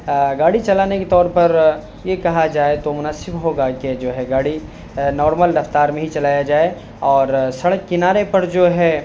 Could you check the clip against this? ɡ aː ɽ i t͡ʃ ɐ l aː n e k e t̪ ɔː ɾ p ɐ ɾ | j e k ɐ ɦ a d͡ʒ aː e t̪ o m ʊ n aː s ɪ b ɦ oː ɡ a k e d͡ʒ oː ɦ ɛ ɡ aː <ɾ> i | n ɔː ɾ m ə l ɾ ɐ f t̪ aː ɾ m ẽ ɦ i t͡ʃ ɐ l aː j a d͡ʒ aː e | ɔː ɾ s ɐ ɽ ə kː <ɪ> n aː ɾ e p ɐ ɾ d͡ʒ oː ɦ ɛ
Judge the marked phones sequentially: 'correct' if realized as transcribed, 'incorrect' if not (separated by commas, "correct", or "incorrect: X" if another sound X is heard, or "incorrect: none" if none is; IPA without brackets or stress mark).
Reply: incorrect: ɽ, correct